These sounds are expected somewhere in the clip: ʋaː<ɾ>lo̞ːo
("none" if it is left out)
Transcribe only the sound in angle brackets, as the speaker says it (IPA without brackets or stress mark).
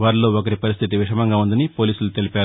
ɾ